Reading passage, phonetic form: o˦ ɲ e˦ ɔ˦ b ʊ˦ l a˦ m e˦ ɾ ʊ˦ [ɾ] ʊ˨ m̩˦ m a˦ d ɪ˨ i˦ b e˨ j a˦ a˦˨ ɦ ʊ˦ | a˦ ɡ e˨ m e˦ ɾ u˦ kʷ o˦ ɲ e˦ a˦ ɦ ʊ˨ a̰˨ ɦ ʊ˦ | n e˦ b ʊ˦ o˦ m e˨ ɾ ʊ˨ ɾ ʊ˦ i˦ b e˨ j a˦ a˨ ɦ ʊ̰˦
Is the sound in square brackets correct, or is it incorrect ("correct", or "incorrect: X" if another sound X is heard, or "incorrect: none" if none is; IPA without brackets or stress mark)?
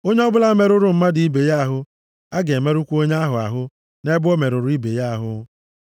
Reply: correct